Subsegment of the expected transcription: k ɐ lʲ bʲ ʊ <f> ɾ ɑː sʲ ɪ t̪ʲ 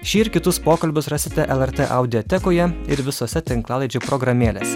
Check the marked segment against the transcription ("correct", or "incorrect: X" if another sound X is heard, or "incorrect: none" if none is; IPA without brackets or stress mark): incorrect: s